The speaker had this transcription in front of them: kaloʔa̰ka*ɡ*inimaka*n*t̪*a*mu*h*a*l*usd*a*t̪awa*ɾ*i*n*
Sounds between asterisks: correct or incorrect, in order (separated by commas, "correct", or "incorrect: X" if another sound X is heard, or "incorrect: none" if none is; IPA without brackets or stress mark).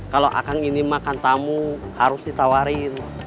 incorrect: ŋ, correct, correct, correct, incorrect: ɾ, incorrect: i, correct, correct